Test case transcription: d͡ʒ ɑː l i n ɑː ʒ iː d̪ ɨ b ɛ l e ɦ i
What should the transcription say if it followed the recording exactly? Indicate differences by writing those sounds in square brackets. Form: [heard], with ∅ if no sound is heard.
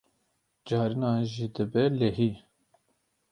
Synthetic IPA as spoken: d͡ʒ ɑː [ɾ] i n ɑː ʒ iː d̪ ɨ b ɛ l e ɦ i

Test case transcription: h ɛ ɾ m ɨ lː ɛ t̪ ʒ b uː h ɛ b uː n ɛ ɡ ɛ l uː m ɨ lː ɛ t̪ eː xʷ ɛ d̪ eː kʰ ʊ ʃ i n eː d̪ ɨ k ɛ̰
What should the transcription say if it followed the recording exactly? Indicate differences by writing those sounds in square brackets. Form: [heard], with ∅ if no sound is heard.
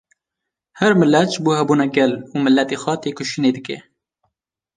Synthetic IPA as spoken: h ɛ ɾ m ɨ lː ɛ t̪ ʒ b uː h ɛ b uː n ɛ ɡ ɛ l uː m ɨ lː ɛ t̪ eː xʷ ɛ [t̪] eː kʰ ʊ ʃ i n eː d̪ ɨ k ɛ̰

